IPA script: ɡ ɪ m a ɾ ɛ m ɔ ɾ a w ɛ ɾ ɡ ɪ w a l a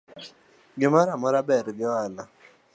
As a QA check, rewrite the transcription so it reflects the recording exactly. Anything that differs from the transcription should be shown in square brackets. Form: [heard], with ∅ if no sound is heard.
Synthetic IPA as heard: ɡ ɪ m a ɾ [a] m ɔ ɾ a [b] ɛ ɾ ɡ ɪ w a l a

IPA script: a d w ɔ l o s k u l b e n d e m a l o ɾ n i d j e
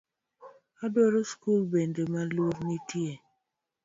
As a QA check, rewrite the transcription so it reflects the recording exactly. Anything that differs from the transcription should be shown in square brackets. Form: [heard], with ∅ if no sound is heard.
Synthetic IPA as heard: a d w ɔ [ɾ] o s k u l b e n d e m a l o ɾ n i [t] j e

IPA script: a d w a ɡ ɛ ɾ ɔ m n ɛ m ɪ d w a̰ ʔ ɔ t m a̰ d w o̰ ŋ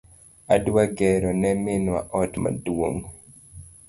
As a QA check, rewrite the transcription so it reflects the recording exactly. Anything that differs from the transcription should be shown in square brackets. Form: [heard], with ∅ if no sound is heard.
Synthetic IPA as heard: a d w a ɡ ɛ ɾ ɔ [∅] n ɛ m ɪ [n] w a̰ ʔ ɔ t m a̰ d w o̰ ŋ

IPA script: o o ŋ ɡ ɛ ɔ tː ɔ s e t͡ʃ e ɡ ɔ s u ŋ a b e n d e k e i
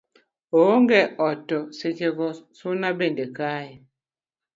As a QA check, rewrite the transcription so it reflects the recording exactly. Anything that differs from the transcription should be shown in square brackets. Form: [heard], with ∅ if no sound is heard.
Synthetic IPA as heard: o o ŋ ɡ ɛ ɔ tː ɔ s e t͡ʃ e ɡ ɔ s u [n] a b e n d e k [a] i

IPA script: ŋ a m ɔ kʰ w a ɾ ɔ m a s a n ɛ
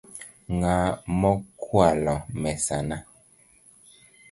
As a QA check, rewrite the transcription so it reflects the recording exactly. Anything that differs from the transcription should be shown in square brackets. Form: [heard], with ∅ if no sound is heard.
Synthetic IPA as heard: ŋ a m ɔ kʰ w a [l] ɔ m [ɛ] s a n [a]

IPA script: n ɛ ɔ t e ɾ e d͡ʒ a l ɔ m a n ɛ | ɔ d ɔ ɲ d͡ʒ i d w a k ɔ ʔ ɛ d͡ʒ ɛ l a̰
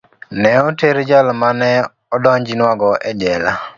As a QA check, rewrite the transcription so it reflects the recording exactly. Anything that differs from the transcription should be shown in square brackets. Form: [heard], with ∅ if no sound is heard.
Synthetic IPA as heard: n ɛ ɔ t e ɾ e d͡ʒ a l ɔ m a n ɛ | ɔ d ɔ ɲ d͡ʒ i [n] w a [ɡ] ɔ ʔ ɛ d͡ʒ ɛ l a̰

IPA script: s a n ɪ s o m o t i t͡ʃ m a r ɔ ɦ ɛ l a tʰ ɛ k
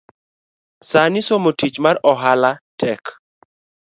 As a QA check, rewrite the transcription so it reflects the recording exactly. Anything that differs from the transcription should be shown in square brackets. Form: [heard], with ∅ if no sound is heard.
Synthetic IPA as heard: s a n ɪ s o m o t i t͡ʃ m a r ɔ ɦ [a] l a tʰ ɛ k

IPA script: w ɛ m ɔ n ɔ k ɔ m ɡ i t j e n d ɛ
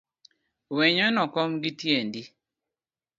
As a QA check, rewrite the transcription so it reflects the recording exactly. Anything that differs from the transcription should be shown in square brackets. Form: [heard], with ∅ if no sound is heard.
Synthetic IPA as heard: w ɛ [ɲ] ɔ n ɔ k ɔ m ɡ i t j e n d [i]

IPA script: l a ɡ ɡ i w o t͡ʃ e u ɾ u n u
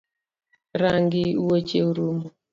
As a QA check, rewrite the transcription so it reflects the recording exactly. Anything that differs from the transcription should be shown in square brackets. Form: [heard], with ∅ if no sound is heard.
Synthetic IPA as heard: [ɾ] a [ŋ] ɡ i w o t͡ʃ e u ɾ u [m] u

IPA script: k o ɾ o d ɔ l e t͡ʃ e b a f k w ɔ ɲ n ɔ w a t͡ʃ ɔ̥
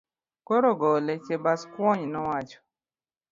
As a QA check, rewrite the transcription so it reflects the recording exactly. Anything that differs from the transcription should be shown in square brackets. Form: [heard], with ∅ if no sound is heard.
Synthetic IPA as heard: k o ɾ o [ɡ] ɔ l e t͡ʃ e b a [s] k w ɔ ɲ n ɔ w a t͡ʃ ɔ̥

